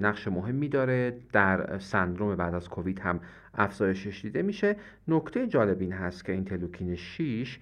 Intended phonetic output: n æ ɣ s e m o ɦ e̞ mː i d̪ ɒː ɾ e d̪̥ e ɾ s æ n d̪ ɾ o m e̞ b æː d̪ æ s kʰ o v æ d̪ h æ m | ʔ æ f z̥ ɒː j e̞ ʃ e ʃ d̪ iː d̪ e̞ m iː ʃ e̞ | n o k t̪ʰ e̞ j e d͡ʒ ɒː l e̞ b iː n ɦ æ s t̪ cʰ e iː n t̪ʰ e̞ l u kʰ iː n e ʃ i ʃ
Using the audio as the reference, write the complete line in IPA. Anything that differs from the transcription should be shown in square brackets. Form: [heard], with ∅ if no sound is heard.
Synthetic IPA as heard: n æ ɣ [ʃ] e m o ɦ e̞ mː i d̪ ɒː ɾ e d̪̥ [æ] ɾ s æ n d̪ ɾ o m e̞ b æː d̪ æ [z] kʰ o v [i] d̪ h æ m | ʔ æ f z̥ ɒː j e̞ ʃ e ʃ d̪ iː d̪ e̞ m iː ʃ e̞ | n o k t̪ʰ e̞ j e d͡ʒ ɒː l e̞ b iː n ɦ æ s t̪ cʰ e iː n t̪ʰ e̞ l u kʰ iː n e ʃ i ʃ